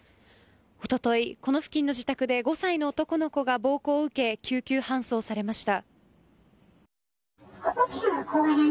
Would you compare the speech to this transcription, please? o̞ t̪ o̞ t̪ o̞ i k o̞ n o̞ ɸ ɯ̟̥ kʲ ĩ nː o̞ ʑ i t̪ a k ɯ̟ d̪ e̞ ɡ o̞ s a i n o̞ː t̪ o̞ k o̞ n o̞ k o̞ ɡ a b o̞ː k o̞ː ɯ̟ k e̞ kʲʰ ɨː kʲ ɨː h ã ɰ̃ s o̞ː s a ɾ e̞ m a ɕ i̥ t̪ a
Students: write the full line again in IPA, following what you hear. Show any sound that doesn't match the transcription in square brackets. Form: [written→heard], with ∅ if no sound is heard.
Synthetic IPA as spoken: o̞ t̪ o̞ t̪ o̞ i k o̞ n o̞ ɸ ɯ̟̥ kʲ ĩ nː o̞ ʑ i t̪ a k ɯ̟ d̪ e̞ ɡ o̞ s a i n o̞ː t̪ o̞ k o̞ n o̞ k o̞ ɡ a b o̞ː k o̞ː ɯ̟ k e̞ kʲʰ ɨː kʲ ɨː h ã ɰ̃ s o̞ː s a ɾ e̞ m a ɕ i̥ t̪ a